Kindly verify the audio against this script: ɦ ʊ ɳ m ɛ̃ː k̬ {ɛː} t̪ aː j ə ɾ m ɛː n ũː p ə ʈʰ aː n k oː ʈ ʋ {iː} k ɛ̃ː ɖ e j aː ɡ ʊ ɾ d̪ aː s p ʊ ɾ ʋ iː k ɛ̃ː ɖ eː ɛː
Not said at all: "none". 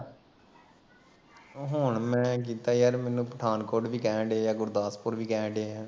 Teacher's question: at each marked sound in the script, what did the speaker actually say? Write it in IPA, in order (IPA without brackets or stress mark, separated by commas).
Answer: iː, iː